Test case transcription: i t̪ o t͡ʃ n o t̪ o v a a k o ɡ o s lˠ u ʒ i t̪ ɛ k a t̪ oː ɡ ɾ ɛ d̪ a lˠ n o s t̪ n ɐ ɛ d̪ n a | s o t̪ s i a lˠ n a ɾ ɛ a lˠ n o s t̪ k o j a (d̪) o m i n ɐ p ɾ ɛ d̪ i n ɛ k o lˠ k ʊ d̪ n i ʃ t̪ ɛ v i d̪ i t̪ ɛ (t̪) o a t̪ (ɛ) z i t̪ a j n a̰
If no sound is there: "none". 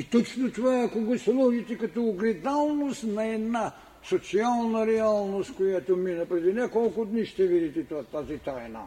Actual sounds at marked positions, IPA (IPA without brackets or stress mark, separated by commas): t̪, t̪, a